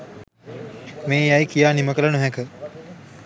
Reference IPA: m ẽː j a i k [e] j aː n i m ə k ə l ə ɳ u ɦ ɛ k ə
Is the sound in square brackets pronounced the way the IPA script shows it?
no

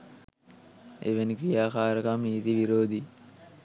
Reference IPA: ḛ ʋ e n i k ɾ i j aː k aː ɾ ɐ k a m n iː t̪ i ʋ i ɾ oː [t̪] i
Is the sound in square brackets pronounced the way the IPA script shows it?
no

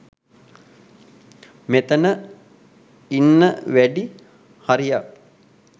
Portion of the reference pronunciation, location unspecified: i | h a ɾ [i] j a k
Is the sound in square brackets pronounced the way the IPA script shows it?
yes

